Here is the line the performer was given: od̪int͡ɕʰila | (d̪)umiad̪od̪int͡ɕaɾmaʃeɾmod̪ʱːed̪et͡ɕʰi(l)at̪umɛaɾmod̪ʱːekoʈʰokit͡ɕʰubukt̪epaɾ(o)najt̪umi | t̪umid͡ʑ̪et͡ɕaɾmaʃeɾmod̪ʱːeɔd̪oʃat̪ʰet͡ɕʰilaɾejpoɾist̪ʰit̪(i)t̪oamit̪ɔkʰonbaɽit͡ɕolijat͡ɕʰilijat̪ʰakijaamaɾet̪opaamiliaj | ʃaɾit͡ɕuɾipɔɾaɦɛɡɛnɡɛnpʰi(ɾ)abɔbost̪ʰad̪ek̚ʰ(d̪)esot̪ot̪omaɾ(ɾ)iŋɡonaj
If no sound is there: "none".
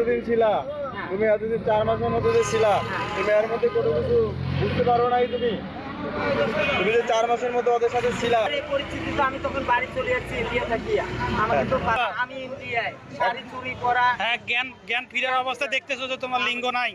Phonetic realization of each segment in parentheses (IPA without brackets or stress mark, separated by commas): t̪, l, o, i, ɾ, t̪, l